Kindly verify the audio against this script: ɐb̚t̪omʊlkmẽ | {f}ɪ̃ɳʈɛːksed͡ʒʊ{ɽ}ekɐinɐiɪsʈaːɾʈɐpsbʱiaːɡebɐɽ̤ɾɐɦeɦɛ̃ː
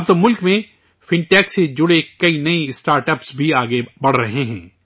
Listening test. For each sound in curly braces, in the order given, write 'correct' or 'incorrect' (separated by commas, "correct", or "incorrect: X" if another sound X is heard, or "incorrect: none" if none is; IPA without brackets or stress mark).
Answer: correct, correct